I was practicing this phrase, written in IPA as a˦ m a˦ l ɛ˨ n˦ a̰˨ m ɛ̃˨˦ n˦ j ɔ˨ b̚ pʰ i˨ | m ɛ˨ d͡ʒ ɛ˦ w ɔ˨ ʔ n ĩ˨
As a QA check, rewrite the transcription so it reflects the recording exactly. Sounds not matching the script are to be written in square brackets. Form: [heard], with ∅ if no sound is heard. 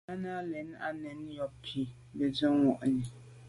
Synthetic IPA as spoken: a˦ [n] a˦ l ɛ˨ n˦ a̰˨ [n] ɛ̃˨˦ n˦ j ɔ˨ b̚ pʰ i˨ | [b] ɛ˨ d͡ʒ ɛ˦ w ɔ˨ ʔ n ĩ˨